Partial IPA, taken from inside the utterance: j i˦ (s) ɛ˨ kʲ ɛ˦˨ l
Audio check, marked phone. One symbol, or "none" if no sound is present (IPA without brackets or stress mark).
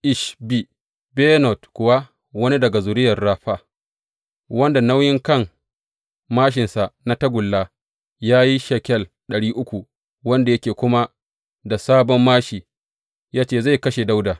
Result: ʃ